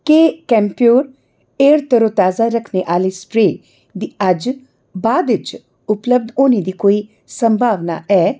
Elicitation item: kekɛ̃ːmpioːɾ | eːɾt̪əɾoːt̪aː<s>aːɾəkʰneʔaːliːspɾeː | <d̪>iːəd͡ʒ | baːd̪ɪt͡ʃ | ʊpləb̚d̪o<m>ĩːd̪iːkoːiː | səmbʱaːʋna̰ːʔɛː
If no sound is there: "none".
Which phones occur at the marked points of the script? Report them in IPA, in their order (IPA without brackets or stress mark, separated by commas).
z, d̪, n